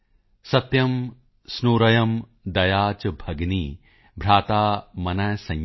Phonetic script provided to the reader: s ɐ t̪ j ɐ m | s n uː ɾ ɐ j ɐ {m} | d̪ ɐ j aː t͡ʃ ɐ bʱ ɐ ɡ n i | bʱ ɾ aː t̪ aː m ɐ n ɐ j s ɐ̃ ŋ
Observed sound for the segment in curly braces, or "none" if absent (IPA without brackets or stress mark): m